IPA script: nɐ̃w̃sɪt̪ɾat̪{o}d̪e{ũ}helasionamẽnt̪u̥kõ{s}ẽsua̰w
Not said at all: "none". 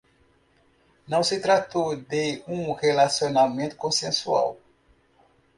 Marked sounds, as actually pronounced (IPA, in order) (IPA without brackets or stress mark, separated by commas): o, ũ, s